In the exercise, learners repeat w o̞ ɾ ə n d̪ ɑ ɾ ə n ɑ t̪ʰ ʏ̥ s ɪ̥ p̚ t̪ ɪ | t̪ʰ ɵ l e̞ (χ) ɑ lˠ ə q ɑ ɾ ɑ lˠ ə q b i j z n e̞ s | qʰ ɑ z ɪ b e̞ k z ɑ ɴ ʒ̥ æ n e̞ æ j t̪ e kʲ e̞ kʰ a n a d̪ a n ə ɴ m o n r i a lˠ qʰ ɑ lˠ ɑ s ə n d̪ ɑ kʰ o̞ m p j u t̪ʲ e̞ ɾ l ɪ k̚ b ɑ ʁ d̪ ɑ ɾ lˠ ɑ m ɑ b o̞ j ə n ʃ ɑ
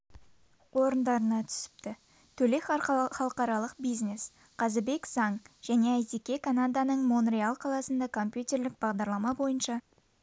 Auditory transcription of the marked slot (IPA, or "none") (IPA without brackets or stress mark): χ